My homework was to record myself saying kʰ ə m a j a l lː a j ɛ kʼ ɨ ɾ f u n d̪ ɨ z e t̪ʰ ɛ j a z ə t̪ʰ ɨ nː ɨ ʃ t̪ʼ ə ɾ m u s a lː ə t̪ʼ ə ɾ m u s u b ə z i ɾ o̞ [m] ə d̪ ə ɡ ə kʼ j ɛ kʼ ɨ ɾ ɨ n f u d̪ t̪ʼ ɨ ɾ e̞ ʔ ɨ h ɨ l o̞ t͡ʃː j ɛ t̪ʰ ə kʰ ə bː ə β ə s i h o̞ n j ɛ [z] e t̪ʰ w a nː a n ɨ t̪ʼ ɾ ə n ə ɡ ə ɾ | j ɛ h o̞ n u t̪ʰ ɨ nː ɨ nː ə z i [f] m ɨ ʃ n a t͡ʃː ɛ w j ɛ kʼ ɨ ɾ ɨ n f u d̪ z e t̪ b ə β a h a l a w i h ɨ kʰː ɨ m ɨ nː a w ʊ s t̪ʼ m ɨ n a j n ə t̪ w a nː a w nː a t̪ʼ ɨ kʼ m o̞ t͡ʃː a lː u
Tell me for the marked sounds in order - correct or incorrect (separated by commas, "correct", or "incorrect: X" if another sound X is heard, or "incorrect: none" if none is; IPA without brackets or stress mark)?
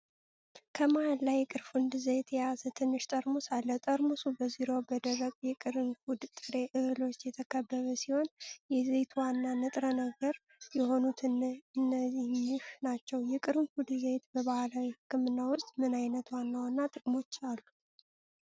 incorrect: b, correct, incorrect: h